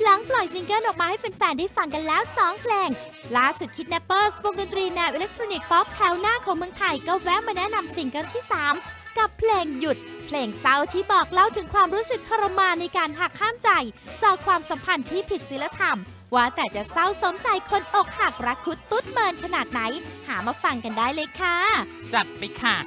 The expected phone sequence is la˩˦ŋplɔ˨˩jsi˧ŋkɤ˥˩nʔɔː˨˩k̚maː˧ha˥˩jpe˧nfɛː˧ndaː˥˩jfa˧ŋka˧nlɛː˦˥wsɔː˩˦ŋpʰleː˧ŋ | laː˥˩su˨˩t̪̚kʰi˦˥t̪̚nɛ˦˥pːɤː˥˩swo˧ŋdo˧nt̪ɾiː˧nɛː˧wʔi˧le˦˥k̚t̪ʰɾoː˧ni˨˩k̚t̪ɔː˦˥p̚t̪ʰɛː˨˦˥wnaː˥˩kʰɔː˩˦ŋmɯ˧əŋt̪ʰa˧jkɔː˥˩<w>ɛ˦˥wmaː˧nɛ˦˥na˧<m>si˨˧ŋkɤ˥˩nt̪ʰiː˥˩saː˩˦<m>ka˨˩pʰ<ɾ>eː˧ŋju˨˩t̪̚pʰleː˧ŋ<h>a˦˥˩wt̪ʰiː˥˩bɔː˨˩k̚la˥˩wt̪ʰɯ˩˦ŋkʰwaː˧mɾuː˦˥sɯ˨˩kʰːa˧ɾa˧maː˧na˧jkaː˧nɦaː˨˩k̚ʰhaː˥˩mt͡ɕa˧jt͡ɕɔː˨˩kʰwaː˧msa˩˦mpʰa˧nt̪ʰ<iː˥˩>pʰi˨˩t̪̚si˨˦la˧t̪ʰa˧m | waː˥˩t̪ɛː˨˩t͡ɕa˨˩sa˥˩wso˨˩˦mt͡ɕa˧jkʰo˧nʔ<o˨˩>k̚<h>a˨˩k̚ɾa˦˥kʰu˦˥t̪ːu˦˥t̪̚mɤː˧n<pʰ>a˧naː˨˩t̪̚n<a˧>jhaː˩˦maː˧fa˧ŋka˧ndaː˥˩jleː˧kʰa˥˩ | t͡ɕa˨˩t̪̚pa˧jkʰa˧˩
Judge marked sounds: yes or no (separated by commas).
yes, yes, yes, no, no, yes, yes, yes, no, no